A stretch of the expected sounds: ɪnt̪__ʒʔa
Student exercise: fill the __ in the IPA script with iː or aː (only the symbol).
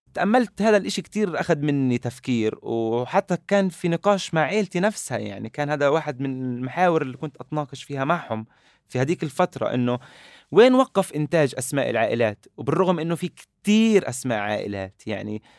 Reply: aː